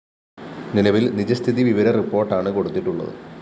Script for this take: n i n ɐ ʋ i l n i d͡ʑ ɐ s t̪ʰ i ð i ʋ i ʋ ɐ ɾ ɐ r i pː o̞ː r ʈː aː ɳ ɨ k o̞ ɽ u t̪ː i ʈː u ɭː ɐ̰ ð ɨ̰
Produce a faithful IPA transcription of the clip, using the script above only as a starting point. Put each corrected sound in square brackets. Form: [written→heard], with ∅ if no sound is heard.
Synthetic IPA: n i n ɐ ʋ i l n i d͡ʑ ɐ s t̪ʰ i ð i ʋ i ʋ ɐ ɾ ɐ r i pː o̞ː r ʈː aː ɳ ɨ k o̞ ɽ u t̪ː i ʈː u ɭː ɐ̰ ð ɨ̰